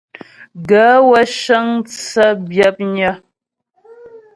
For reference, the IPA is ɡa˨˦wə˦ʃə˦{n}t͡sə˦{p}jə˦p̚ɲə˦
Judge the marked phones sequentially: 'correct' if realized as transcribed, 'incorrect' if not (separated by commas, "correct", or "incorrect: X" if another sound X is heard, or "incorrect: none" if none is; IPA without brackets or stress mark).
incorrect: ŋ, incorrect: b